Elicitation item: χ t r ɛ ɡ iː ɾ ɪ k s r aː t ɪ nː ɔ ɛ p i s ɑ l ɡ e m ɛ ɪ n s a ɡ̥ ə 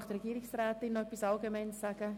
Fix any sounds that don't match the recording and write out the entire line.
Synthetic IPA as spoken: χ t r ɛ ɡ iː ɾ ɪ k s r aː t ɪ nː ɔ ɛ p i s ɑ l ɡ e m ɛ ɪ n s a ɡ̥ ə